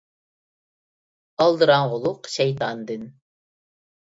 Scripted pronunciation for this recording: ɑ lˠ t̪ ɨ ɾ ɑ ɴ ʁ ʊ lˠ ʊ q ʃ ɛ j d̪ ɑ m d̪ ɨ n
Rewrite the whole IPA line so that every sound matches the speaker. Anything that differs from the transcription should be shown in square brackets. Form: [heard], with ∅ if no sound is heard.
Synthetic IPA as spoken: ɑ lˠ [d̪] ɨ ɾ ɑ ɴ ʁ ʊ lˠ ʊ q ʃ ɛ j [t̪] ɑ [n] d̪ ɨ n

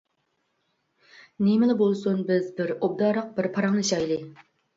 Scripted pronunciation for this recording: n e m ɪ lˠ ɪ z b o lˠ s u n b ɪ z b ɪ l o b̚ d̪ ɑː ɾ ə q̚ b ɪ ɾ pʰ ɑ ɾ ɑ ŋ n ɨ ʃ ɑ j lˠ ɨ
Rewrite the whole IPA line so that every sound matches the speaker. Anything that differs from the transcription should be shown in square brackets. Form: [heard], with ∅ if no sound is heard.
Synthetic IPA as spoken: n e m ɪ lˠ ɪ [∅] b o lˠ s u n b ɪ z b ɪ [ɾ] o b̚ d̪ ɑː ɾ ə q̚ b ɪ ɾ pʰ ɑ ɾ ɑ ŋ n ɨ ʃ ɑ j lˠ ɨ

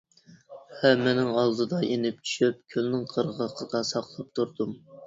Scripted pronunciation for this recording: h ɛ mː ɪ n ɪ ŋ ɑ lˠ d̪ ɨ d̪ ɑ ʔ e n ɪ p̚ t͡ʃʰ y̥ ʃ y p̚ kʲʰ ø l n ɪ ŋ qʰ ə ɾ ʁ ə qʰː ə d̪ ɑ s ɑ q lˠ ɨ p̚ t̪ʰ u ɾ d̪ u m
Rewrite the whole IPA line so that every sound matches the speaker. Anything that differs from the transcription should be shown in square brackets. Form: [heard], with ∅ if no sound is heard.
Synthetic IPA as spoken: h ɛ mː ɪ n ɪ ŋ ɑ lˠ d̪ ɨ d̪ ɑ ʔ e n ɪ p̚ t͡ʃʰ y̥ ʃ y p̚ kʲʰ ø l n ɪ ŋ qʰ ə ɾ ʁ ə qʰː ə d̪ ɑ s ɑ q lˠ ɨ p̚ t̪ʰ u ɾ d̪ u m

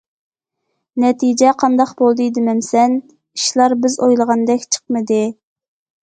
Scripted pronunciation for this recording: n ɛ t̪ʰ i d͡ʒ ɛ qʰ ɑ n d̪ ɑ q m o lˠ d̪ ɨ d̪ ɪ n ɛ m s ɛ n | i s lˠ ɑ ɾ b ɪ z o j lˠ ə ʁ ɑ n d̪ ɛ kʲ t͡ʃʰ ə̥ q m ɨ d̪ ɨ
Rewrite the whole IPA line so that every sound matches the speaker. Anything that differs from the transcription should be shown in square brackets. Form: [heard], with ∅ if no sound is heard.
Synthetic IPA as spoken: n ɛ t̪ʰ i d͡ʒ ɛ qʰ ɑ n d̪ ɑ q [b] o lˠ d̪ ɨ d̪ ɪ [m] ɛ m s ɛ n | i [ʃ] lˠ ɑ ɾ b ɪ z o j lˠ ə ʁ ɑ n d̪ ɛ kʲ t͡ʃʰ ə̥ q m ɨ d̪ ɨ

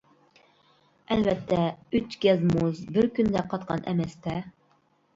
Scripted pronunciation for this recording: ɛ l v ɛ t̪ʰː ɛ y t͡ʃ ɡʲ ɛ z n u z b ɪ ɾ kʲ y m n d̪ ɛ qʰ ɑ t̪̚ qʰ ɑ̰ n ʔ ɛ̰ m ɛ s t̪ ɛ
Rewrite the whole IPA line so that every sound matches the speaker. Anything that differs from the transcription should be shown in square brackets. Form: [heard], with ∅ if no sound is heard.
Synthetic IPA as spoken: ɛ l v ɛ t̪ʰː ɛ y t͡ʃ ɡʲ ɛ z [m] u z b ɪ ɾ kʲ y [∅] n d̪ ɛ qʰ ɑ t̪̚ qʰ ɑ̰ n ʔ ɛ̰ m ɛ s t̪ ɛ

